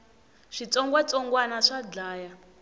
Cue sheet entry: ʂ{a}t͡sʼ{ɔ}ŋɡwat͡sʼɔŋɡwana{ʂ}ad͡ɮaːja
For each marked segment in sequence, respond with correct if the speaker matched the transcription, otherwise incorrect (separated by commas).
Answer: incorrect, correct, correct